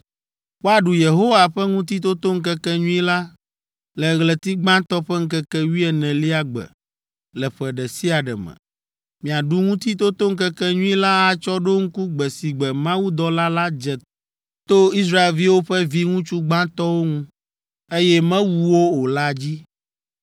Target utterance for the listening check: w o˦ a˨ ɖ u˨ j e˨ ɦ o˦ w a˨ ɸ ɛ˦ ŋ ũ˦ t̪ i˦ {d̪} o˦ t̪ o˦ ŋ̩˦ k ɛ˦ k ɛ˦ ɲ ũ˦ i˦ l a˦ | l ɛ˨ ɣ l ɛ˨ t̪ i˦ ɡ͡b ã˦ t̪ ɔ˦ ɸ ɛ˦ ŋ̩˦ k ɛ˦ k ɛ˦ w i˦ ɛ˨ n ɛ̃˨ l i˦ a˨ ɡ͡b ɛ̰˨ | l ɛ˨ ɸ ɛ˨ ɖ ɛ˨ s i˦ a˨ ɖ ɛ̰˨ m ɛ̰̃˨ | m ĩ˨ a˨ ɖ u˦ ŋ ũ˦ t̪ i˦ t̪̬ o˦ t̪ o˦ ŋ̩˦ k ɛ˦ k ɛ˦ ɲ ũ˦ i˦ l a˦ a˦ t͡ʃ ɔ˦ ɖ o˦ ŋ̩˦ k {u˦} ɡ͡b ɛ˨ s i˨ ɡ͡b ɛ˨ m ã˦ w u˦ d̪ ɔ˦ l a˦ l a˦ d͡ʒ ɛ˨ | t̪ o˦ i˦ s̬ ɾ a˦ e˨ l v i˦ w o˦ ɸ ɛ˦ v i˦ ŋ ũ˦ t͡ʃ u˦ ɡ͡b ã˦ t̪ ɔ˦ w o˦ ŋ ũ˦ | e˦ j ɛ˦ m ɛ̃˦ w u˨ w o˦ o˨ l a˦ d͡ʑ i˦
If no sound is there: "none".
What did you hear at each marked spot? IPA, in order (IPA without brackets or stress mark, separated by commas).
t̪, u˦